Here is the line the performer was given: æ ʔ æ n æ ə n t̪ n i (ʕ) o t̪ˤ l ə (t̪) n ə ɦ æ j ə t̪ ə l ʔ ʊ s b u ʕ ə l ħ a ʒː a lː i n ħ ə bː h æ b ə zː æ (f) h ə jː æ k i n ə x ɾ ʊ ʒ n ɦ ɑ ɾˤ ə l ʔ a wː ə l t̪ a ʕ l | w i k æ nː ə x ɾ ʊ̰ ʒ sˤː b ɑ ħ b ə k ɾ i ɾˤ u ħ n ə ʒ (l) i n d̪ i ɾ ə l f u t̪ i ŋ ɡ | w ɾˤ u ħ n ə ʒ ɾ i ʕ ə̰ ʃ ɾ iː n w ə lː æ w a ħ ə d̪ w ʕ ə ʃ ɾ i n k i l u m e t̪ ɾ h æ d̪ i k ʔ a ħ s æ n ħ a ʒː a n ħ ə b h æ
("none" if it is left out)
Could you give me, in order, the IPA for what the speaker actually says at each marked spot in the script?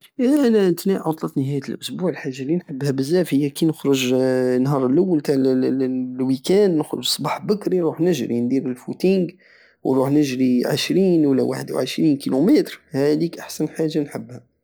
ʕ, t̪, f, ɾ

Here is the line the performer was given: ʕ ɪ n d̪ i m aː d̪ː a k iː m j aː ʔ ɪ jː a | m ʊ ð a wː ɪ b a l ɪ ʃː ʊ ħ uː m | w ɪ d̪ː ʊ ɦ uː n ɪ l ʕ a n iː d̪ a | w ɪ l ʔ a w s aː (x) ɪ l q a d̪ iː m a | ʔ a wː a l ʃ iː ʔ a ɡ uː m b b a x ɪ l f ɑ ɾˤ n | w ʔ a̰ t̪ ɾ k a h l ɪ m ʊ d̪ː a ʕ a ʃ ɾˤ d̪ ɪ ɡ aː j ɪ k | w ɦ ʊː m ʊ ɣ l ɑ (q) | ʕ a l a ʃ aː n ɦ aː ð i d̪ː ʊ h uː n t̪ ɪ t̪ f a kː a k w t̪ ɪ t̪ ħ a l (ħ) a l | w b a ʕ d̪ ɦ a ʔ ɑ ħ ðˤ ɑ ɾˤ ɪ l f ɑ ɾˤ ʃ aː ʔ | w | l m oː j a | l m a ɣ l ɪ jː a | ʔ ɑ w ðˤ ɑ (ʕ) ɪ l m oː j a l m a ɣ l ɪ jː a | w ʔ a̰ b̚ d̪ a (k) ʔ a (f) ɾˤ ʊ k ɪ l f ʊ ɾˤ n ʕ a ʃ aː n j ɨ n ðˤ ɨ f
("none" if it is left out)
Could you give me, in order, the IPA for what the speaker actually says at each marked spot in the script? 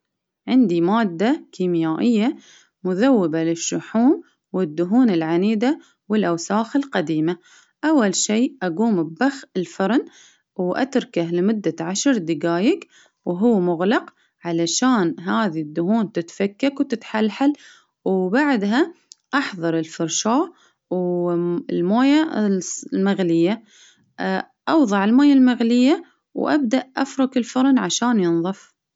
x, q, ħ, ʕ, ʔ, f

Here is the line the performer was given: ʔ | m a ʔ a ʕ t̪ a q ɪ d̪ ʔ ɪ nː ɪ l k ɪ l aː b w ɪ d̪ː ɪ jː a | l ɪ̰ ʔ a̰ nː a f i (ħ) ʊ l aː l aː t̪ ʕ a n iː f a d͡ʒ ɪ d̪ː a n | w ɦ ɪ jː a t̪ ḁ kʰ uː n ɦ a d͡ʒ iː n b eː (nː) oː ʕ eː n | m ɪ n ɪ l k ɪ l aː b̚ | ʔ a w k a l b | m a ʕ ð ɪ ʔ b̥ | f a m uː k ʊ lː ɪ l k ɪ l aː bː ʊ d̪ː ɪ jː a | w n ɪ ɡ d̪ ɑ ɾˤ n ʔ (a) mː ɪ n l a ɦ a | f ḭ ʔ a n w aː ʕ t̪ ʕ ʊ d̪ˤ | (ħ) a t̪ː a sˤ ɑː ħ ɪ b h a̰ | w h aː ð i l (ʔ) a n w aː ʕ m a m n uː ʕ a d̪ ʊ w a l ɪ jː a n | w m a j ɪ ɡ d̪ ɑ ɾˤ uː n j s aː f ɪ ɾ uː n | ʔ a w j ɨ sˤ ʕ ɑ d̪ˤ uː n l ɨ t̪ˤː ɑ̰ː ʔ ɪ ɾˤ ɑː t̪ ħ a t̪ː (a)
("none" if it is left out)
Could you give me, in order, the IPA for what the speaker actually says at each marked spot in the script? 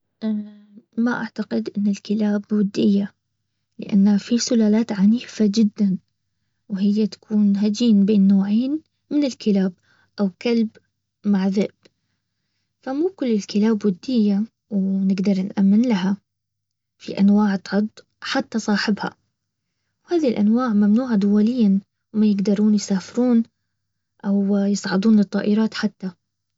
s, nː, a, ħ, ʔ, a

